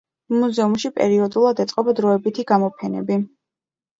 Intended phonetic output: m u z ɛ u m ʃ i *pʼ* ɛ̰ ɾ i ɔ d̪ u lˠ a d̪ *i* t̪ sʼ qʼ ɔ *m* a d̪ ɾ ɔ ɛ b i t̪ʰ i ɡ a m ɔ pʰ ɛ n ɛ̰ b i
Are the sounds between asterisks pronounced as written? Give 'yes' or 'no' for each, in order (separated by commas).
yes, no, no